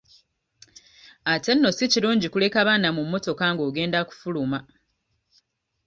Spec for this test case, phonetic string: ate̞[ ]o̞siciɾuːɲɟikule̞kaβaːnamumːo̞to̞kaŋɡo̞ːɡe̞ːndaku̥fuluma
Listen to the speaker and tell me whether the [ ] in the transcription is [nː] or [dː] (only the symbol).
nː